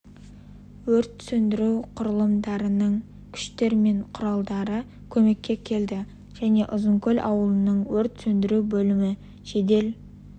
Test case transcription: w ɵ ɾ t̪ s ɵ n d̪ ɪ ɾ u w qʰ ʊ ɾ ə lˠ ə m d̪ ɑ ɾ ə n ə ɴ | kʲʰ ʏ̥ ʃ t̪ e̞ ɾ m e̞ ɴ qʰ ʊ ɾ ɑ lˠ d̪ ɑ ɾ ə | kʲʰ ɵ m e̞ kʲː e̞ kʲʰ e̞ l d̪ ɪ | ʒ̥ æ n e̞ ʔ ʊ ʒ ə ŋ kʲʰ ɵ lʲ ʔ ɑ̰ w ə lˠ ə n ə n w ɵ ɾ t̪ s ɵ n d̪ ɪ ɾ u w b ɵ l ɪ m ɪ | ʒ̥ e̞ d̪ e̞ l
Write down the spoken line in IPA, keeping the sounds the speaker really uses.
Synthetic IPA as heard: w ɵ ɾ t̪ s ɵ n d̪ ɪ ɾ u w qʰ ʊ ɾ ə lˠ ə m d̪ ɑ ɾ ə n ə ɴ | kʲʰ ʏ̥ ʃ t̪ e̞ ɾ m e̞ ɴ qʰ ʊ ɾ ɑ lˠ d̪ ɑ ɾ ə | kʲʰ ɵ m e̞ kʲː e̞ kʲʰ e̞ l d̪ ɪ | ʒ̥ æ n e̞ ʔ ʊ z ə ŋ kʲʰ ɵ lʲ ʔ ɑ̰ w ə lˠ ə n ə ɴ w ɵ ɾ t̪ s ɵ n d̪ ɪ ɾ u w b ɵ l ɪ m ɪ | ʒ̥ e̞ d̪ e̞ l